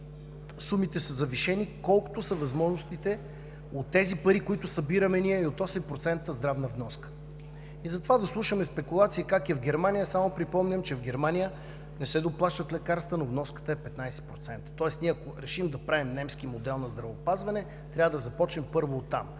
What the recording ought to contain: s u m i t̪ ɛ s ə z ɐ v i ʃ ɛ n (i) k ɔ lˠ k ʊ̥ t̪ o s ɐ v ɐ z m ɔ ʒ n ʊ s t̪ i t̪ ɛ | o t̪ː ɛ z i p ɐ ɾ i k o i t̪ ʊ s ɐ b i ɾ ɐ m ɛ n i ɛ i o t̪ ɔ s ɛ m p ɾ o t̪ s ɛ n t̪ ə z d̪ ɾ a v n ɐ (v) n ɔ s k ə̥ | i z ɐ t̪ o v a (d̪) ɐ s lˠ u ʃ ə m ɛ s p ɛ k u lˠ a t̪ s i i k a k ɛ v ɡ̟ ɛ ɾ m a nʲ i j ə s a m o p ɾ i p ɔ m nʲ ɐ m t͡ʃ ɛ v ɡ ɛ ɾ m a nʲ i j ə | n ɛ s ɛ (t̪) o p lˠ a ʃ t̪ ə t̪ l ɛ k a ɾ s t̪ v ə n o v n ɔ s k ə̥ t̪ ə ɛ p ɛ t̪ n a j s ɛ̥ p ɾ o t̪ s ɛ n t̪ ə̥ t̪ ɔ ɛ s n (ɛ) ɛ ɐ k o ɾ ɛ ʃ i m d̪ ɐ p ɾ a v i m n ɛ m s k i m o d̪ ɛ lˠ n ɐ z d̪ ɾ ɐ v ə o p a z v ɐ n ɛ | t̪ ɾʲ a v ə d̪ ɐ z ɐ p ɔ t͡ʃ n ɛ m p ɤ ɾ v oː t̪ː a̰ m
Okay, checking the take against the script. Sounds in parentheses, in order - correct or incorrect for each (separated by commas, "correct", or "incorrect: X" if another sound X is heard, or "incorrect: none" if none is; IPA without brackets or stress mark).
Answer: correct, correct, correct, incorrect: d̪, incorrect: i